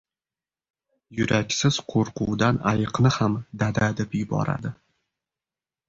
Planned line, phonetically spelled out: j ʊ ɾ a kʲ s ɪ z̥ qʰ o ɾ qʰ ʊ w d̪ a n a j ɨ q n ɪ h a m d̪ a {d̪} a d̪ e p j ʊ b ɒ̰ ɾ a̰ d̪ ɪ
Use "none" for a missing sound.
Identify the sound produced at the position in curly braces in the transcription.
d̪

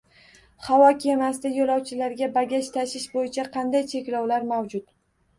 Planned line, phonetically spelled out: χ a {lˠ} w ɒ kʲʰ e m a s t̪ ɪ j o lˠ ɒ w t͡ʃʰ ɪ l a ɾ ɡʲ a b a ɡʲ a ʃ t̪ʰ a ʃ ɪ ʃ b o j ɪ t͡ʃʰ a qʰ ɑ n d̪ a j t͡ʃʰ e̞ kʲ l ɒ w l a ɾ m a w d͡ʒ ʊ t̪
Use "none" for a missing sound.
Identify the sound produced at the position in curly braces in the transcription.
none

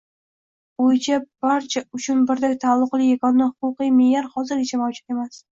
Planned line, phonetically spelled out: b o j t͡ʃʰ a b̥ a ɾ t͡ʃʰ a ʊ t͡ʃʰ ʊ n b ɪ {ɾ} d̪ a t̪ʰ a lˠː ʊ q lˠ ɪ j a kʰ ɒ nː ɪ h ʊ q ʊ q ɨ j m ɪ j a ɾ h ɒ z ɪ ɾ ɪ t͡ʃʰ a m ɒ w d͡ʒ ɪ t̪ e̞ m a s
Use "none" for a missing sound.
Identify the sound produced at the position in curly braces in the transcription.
ɾ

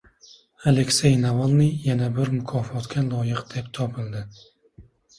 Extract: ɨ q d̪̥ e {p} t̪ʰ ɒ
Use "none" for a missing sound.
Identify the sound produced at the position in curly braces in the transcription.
p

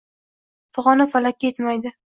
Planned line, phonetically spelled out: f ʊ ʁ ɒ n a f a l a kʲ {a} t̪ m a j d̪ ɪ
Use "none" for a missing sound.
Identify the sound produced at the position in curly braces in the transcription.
e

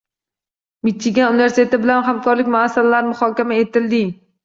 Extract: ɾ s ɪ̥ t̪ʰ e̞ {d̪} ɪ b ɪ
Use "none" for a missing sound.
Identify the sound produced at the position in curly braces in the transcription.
t̪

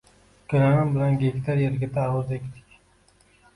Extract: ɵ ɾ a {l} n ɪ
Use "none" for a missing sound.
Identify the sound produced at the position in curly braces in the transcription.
none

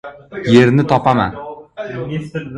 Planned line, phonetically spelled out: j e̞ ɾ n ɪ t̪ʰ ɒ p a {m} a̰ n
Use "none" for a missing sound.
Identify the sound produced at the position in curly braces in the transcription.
m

